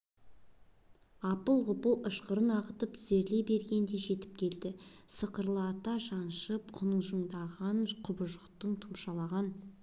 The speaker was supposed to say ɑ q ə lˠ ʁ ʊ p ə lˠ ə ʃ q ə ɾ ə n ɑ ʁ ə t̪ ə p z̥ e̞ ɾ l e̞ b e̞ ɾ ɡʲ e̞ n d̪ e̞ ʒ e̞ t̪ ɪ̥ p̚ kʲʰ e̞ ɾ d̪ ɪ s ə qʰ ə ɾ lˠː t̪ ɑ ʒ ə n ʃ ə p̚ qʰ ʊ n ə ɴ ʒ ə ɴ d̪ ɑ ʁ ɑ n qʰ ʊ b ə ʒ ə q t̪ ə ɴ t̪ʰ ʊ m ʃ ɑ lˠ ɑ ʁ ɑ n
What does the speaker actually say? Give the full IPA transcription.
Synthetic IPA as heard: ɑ p ə lˠ ʁ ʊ p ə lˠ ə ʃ q ə ɾ ə n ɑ ʁ ə t̪ ə p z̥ e̞ ɾ l e̞ b e̞ ɾ ɡʲ e̞ n d̪ e̞ ʒ e̞ t̪ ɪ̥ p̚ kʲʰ e̞ l d̪ ɪ s ə q ə ɾ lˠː t̪ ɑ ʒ ɑ n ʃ ə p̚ qʰ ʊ n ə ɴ ʒ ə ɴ d̪ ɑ ʁ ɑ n qʰ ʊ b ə ʒ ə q t̪ ə ɴ t̪ʰ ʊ m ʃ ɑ lˠ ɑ ʁ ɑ n